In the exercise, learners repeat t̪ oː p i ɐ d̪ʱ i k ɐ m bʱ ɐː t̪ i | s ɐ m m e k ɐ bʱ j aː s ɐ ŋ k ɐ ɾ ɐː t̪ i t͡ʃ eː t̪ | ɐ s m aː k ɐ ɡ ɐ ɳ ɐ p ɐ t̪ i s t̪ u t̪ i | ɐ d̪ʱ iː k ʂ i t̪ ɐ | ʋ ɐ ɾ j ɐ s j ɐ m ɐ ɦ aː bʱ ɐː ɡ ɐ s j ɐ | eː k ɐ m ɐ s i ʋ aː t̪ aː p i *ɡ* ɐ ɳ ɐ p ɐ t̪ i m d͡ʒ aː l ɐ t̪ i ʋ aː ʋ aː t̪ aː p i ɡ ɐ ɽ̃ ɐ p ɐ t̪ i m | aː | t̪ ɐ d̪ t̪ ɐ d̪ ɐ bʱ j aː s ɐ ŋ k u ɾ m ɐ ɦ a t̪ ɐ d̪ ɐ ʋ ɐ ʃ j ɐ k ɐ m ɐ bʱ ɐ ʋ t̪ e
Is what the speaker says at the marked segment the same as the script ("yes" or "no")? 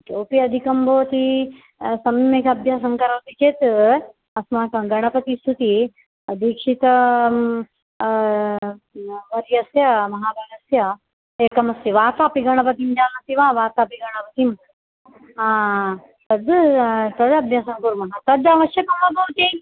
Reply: yes